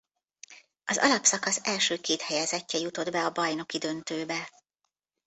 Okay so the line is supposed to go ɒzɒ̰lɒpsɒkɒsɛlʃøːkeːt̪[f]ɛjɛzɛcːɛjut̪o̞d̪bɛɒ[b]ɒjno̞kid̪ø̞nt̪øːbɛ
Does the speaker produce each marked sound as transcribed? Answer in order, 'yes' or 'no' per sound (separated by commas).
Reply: no, yes